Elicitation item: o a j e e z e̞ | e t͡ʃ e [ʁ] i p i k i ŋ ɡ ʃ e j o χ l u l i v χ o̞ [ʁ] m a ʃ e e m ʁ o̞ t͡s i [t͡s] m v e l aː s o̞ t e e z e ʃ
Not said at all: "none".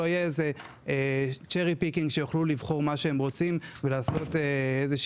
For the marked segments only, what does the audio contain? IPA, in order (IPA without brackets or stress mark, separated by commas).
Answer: ʁ, ʁ, none